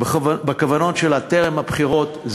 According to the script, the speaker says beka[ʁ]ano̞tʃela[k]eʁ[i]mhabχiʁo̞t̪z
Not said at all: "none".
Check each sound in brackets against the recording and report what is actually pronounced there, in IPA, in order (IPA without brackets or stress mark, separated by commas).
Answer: v, t, e